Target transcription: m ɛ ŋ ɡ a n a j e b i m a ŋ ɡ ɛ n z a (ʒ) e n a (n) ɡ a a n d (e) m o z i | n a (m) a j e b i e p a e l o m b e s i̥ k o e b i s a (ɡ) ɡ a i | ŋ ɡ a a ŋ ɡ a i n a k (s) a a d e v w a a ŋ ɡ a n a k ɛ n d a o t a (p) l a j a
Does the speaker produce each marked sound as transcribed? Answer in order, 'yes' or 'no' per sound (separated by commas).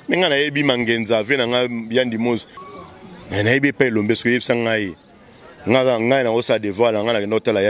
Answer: no, no, no, no, no, yes, no